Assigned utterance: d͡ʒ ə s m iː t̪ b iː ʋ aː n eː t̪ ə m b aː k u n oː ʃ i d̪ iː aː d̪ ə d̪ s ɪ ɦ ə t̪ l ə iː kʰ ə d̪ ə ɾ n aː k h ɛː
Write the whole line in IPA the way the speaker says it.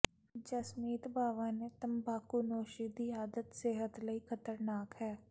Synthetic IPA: d͡ʒ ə s m iː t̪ b aː ʋ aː n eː t̪ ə m b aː k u n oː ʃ i d̪ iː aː d̪ ə t̪ s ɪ ɦ ə t̪ l ə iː kʰ ə t̪ ə ɾ n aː k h ɛː